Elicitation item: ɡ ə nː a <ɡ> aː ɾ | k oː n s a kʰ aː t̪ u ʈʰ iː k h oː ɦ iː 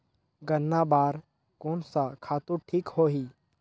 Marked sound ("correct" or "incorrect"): incorrect